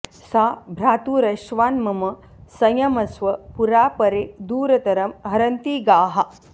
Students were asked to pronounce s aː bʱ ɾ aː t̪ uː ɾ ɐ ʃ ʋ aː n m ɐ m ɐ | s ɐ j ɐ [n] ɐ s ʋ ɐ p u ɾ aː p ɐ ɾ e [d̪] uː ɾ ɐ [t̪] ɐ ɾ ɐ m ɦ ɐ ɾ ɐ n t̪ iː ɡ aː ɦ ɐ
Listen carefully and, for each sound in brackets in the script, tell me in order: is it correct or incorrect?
incorrect: m, correct, correct

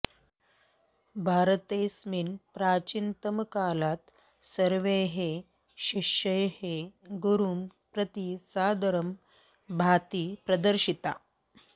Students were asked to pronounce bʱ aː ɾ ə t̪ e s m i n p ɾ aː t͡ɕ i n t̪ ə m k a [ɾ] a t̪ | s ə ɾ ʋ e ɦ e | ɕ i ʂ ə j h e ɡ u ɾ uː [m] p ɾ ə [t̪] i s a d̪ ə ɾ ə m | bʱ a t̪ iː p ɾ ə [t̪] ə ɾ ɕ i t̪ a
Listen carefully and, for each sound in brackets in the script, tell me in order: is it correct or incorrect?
incorrect: l, correct, correct, incorrect: d̪

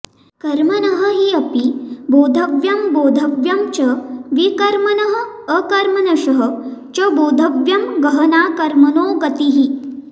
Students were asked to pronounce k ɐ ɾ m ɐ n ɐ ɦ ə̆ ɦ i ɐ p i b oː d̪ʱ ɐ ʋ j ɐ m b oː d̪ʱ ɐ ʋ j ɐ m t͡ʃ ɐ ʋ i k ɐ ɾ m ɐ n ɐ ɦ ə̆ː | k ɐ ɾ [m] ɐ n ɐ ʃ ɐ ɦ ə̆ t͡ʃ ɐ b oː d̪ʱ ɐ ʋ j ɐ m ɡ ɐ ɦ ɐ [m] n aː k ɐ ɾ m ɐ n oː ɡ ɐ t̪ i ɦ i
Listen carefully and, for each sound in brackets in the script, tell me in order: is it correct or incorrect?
correct, incorrect: none

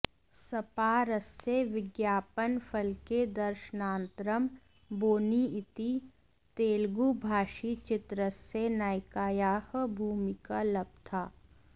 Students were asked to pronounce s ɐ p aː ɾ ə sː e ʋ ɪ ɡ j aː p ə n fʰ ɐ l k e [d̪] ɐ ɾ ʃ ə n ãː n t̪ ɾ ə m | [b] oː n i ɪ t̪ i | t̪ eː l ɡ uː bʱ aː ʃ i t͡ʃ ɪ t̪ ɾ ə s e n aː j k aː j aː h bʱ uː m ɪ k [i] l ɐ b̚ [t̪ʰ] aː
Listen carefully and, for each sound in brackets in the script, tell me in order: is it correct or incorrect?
correct, correct, incorrect: a, correct

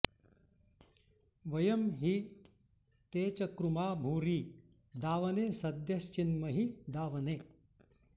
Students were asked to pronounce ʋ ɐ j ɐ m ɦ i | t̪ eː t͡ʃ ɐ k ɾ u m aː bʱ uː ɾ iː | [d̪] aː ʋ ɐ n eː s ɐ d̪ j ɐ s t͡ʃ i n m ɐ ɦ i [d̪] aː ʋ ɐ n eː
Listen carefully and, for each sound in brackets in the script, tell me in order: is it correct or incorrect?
correct, correct

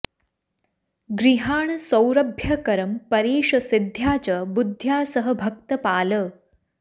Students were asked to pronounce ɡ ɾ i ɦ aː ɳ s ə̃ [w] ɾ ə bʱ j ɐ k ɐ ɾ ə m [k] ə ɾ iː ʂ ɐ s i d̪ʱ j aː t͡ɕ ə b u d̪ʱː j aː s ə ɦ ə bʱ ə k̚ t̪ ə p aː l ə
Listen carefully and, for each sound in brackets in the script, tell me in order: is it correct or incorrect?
correct, incorrect: p

